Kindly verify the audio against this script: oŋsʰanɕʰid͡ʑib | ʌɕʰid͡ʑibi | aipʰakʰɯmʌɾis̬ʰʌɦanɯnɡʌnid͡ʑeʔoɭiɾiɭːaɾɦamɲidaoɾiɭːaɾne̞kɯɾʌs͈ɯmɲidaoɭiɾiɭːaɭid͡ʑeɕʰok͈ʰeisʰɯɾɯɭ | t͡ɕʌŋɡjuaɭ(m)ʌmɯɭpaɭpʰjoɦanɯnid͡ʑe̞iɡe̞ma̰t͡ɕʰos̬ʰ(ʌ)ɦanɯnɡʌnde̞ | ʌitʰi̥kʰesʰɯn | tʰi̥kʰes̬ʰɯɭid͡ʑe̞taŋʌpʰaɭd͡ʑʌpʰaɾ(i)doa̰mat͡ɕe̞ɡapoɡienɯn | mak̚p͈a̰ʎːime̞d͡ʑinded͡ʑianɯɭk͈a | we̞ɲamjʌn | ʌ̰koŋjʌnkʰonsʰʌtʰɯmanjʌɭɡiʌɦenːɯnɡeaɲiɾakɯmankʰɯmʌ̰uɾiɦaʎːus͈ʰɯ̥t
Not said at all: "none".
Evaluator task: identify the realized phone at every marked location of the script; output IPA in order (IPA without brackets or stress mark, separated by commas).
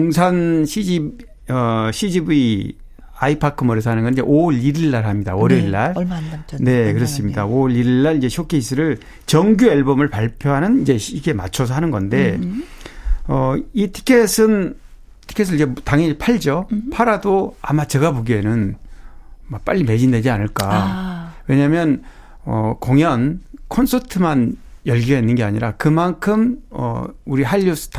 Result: b, ʌ, a